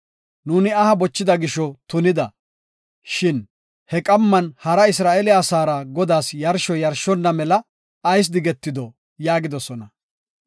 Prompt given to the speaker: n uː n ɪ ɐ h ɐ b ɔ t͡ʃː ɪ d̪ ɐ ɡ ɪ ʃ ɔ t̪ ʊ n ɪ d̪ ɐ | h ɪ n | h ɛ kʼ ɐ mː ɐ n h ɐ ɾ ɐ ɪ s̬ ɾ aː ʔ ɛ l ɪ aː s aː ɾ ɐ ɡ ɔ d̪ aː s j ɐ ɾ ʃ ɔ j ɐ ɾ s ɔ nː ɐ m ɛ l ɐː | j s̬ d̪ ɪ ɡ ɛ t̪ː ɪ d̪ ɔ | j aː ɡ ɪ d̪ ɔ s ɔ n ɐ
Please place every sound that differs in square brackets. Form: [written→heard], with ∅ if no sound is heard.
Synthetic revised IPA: n uː n ɪ ɐ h ɐ b ɔ t͡ʃː ɪ d̪ ɐ ɡ ɪ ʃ ɔ t̪ ʊ n ɪ d̪ ɐ | [h→ʃ] ɪ n | h ɛ kʼ ɐ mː ɐ n h ɐ ɾ ɐ ɪ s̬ ɾ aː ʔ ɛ l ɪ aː s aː ɾ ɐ ɡ ɔ d̪ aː s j ɐ ɾ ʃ ɔ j ɐ ɾ [s→ʃ] ɔ nː ɐ m ɛ l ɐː | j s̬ d̪ ɪ ɡ ɛ t̪ː ɪ d̪ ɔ | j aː ɡ ɪ d̪ ɔ s ɔ n ɐ